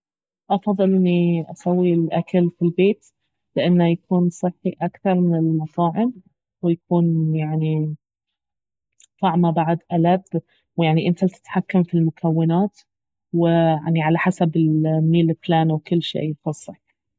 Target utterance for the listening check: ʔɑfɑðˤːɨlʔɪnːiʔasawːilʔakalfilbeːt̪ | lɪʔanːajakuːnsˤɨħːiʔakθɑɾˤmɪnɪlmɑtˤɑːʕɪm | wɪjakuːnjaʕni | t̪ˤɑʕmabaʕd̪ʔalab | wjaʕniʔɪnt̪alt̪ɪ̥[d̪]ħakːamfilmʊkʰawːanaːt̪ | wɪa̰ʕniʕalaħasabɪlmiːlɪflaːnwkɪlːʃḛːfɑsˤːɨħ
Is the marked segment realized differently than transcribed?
yes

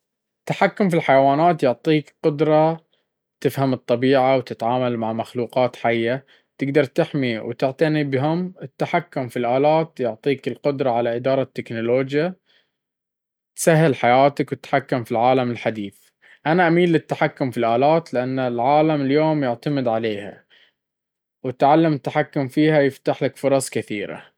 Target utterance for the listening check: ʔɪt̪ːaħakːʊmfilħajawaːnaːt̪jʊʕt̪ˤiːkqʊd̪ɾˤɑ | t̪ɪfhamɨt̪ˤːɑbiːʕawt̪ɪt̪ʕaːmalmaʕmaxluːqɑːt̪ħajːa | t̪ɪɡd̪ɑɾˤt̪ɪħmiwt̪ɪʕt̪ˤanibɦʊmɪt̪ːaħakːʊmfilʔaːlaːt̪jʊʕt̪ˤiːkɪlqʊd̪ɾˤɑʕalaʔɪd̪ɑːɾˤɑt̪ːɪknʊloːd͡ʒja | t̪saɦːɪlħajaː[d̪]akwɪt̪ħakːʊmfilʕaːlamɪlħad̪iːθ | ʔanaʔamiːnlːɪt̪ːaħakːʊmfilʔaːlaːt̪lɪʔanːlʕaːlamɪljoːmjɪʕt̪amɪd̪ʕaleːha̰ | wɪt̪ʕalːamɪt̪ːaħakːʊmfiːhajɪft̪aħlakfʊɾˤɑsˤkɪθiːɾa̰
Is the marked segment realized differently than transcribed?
yes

